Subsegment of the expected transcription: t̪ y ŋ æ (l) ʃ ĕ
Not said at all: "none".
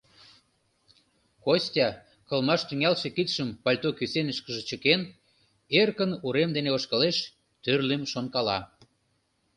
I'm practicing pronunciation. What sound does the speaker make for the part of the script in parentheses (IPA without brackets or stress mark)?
l